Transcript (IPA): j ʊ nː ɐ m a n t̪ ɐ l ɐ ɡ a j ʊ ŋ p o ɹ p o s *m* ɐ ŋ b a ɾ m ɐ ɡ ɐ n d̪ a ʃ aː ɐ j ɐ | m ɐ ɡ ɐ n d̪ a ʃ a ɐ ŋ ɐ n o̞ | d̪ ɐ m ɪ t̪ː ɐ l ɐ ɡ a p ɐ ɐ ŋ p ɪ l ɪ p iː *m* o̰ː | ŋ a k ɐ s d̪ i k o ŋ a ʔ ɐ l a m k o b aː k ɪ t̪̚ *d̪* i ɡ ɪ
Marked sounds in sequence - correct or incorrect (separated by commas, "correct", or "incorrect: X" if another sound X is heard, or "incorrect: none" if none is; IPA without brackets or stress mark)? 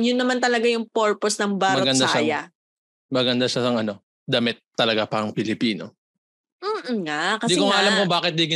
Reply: incorrect: n, incorrect: n, correct